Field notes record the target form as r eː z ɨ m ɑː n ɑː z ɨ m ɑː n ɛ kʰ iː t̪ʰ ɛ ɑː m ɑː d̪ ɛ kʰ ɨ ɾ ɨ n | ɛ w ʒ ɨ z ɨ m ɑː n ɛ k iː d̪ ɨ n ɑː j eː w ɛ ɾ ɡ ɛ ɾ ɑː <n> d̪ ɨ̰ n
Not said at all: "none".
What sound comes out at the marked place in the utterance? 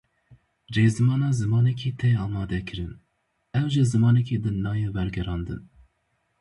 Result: n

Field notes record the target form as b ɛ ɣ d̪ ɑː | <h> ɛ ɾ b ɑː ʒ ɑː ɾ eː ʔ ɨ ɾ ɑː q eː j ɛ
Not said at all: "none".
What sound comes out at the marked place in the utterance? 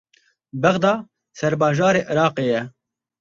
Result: s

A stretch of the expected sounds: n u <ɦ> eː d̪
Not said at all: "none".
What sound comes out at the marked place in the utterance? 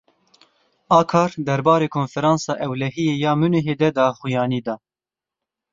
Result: ɦ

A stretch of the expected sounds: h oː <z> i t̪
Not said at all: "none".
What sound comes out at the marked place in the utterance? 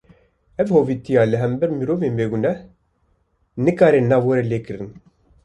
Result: v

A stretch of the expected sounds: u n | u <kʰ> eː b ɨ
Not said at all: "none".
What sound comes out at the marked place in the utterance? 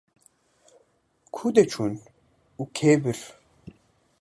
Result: kʰ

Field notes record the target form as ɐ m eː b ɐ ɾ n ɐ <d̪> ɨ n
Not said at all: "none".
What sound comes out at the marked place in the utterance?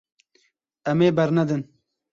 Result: d̪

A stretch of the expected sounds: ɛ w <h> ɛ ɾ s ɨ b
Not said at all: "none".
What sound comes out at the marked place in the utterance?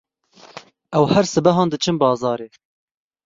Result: h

